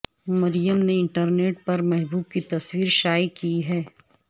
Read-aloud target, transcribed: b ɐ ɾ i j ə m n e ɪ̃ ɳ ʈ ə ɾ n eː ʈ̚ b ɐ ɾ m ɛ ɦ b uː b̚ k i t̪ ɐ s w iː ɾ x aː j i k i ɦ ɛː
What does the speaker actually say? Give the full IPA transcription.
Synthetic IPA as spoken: m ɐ ɾ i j ə m n e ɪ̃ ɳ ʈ ə ɾ n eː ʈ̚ p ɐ ɾ m ɛ ɦ b uː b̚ k i t̪ ɐ s w iː ɾ ʃ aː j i k i ɦ ɛː